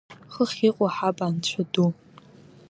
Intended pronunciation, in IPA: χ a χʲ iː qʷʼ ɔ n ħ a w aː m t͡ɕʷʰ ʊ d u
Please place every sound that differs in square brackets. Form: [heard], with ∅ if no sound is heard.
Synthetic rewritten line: χ [ə] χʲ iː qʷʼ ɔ [∅] ħ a [b] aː [n] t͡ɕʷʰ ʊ d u

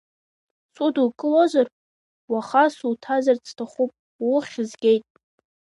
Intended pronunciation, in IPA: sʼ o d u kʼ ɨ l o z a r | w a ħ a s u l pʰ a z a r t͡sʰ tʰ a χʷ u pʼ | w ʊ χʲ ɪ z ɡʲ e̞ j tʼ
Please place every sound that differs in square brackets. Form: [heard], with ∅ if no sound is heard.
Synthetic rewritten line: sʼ [u] d u kʼ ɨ l o z a r | w a [χ] a s u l [tʰ] a z a r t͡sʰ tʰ a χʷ u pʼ | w ʊ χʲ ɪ z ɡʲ e̞ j tʼ

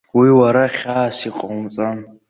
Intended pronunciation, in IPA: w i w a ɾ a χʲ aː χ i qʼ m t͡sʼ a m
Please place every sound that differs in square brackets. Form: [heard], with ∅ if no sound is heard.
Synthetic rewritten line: w i w a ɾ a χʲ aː [s] i qʼ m t͡sʼ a [n]

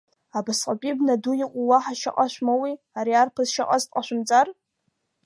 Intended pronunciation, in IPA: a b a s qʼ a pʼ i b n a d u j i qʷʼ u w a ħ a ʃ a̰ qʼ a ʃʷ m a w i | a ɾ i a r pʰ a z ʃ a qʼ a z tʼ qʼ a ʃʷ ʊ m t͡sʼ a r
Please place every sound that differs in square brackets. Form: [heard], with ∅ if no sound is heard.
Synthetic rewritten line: a b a s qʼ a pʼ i b n a d u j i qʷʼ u w a ħ a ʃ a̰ qʼ a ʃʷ m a w i | a ɾ i a r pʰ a z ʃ a qʼ a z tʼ qʼ a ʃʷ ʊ m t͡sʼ a r

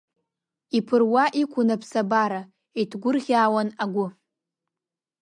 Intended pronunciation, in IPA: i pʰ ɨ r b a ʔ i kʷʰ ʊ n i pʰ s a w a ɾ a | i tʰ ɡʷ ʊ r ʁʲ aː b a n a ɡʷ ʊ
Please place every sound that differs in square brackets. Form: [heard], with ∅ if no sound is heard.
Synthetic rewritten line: i pʰ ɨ r [w] a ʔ i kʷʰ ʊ n [a] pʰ s a [b] a ɾ a | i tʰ ɡʷ ʊ r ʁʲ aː [w] a n a ɡʷ ʊ

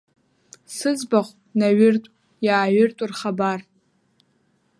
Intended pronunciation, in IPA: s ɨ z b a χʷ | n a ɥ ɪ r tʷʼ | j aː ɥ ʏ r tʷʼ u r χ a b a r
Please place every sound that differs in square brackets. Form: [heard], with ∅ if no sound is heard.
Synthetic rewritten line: s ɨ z b a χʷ | n a ɥ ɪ r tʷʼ | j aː ɥ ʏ r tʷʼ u r χ a b a r

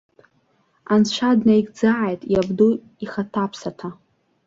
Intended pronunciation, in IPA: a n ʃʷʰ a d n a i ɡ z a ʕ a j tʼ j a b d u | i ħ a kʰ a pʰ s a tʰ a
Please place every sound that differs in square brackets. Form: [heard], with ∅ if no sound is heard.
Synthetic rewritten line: a n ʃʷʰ a d n a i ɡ [d͡z] a ʕ a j tʼ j a b d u | i [χ] a [tʰ] a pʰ s a tʰ a

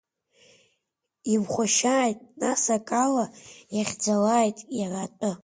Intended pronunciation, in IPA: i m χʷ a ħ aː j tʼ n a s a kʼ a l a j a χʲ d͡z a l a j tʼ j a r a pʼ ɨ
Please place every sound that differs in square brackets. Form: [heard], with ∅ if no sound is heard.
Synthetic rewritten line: i m χʷ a [ʃ] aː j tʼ n a s a kʼ a l a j a χʲ d͡z a l a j tʼ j a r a [tʼ] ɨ

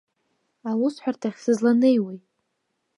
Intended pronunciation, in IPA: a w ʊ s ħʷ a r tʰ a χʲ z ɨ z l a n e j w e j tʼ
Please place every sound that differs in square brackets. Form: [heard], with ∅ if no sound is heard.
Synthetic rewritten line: a w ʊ s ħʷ a r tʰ a χʲ [s] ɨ z l a n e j w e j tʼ

